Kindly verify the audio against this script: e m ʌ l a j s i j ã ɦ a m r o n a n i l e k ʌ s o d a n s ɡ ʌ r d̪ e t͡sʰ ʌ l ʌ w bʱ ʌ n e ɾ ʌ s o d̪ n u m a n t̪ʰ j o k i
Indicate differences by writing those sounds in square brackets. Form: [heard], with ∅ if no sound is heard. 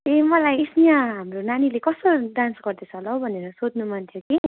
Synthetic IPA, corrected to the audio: e m ʌ l a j s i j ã ɦ a m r o n a n i l e k ʌ s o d a n s ɡ ʌ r d̪ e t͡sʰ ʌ l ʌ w bʱ ʌ n e ɾ ʌ s o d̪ n u m a n t̪ʰ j o k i